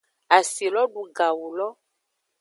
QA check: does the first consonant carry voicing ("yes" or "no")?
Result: no